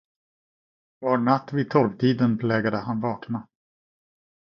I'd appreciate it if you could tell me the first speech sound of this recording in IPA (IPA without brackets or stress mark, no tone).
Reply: v